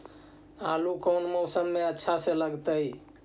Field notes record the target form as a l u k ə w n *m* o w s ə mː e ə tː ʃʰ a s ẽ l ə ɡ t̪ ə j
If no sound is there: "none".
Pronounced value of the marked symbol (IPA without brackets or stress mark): m